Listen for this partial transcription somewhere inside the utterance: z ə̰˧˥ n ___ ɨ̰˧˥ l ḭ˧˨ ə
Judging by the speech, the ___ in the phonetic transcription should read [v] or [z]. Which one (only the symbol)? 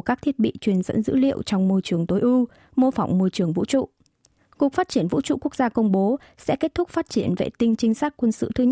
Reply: z